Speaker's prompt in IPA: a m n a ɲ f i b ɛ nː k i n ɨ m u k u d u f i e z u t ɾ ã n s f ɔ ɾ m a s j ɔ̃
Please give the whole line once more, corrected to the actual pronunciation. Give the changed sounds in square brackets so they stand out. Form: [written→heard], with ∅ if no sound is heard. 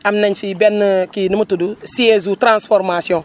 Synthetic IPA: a m n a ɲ f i b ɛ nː k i n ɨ m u [k→t] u d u [f→s] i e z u t ɾ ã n s f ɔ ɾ m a s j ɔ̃